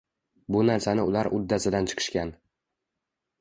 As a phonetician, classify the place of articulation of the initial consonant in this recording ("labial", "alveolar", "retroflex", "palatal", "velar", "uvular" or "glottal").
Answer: labial